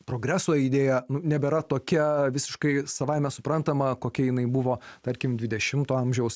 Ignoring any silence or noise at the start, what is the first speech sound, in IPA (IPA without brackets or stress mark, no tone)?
p